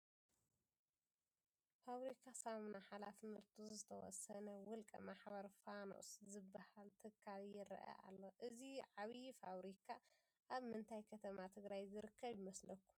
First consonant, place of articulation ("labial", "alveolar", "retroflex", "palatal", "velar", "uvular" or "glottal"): labial